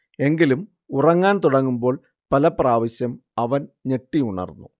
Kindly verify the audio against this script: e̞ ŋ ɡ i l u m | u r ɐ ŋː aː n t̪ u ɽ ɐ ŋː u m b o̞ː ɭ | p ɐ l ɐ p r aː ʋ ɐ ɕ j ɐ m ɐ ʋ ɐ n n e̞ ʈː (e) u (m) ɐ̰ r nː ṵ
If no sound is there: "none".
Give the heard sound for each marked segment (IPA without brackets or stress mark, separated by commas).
i, ɳ